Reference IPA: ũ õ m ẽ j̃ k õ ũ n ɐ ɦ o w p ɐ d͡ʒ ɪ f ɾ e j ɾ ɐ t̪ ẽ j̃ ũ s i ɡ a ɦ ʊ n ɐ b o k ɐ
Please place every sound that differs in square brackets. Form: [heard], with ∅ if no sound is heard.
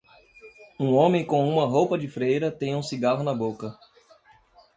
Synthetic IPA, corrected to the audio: ũ õ m ẽ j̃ k õ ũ [m] ɐ ɦ o w p ɐ d͡ʒ ɪ f ɾ e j ɾ ɐ t̪ ẽ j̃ ũ s i ɡ a ɦ ʊ n ɐ b o k ɐ